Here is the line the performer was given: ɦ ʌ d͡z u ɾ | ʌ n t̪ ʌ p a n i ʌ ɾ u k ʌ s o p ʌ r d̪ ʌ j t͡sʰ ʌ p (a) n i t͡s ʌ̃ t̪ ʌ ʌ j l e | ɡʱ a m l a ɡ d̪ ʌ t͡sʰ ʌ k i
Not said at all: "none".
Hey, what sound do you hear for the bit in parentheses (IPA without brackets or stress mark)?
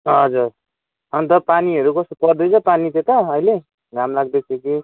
a